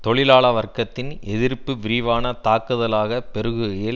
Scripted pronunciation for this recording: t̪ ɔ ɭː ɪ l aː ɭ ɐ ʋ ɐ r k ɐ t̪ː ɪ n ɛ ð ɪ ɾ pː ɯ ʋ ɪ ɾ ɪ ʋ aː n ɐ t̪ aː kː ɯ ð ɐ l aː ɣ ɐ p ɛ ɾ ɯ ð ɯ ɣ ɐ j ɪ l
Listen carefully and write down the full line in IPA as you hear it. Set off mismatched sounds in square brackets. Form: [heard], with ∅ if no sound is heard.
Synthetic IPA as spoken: t̪ ɔ [ɭ] ɪ l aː ɭ ɐ ʋ ɐ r k ɐ t̪ː ɪ n ɛ ð ɪ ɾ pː ɯ ʋ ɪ ɾ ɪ ʋ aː n ɐ t̪ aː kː ɯ ð ɐ l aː ɣ ɐ p ɛ ɾ ɯ [ɣ] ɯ ɣ ɐ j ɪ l